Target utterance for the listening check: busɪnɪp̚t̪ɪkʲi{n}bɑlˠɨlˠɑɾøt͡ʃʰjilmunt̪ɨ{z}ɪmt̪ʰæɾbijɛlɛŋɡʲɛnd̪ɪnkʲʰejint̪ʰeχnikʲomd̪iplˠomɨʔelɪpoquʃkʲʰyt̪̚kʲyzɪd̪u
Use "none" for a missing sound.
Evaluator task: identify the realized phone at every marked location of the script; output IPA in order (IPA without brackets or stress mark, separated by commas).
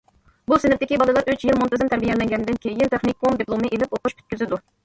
none, z